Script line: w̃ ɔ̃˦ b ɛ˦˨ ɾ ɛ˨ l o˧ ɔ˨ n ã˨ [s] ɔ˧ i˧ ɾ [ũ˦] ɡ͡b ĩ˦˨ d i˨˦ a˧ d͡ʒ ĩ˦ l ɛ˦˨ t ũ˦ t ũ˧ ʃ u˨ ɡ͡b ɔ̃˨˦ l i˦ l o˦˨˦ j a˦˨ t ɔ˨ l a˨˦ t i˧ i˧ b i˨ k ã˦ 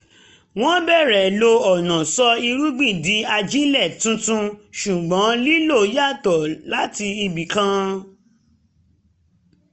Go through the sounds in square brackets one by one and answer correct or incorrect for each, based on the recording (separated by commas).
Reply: correct, incorrect